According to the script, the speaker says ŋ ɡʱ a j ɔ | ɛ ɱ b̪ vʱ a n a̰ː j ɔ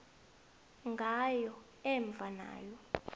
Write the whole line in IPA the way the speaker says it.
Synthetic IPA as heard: ŋ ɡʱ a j ɔ | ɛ ɱ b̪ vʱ a n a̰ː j ɔ